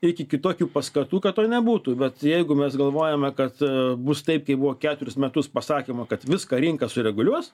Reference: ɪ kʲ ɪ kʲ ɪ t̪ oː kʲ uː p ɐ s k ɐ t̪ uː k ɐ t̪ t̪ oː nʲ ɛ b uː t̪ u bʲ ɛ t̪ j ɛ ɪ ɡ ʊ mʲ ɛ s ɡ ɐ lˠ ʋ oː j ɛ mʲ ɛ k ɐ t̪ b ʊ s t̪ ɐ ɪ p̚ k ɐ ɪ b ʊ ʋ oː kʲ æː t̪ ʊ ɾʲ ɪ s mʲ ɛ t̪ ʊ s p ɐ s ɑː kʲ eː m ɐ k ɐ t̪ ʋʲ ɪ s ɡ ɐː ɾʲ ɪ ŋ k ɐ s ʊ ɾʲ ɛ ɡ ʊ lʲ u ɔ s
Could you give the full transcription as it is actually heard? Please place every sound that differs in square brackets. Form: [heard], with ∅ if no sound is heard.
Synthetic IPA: ɪ kʲ ɪ kʲ ɪ t̪ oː kʲ uː p ɐ s k ɐ t̪ uː k ɐ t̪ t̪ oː nʲ ɛ b uː t̪ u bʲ ɛ t̪ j ɛ ɪ ɡ ʊ mʲ ɛ s ɡ ɐ lˠ ʋ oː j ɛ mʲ ɛ k ɐ t̪ b ʊ s t̪ ɐ ɪ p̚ k ɐ ɪ b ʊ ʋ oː kʲ æː t̪ ʊ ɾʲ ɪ s mʲ ɛ t̪ ʊ s p ɐ s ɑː kʲ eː m ɐ k ɐ t̪ ʋʲ ɪ s [k] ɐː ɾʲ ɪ ŋ k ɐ s ʊ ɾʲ ɛ ɡ ʊ lʲ u ɔ s